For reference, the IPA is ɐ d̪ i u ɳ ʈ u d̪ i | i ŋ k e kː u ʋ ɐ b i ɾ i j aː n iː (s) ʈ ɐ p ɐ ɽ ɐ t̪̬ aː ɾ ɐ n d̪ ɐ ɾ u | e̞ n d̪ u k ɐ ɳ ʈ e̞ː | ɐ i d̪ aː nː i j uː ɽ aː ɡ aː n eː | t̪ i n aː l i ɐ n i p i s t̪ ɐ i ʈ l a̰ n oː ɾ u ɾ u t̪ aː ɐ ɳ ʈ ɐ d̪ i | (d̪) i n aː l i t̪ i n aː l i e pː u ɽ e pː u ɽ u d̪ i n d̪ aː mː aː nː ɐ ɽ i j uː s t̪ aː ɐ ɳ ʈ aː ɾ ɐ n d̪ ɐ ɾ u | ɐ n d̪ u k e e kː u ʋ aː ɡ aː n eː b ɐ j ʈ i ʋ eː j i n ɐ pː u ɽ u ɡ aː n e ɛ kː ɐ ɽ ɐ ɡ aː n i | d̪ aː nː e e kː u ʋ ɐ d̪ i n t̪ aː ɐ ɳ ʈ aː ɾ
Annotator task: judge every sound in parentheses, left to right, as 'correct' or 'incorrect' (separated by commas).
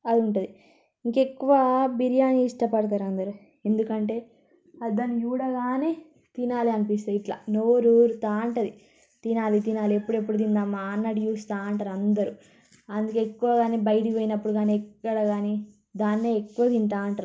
incorrect, incorrect